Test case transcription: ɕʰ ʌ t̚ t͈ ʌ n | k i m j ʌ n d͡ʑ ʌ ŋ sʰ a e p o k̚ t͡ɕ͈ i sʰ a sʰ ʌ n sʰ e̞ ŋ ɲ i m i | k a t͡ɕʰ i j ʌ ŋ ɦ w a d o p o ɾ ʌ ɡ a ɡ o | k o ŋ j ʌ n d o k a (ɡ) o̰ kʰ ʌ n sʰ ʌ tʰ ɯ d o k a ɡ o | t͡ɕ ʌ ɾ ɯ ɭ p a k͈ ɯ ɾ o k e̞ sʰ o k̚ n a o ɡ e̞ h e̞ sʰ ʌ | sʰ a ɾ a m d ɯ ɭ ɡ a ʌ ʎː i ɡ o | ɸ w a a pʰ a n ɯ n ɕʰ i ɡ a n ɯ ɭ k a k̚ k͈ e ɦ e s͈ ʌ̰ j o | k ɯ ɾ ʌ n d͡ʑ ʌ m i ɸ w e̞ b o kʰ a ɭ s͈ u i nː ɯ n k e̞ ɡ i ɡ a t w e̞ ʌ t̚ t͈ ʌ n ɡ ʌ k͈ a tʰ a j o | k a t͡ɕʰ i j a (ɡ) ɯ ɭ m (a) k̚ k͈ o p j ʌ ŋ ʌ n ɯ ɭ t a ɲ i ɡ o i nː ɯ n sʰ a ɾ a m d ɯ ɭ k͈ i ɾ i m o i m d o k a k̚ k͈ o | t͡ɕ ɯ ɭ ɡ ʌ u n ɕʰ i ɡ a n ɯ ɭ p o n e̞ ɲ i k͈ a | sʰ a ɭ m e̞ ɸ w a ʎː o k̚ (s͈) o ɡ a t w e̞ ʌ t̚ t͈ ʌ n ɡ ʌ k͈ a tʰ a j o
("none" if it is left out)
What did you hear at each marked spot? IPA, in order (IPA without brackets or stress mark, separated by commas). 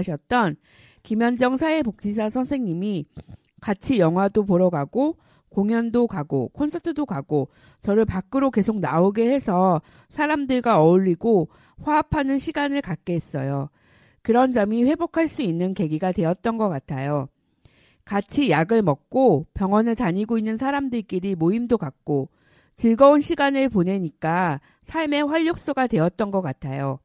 ɡ, ɡ, ʌ, s͈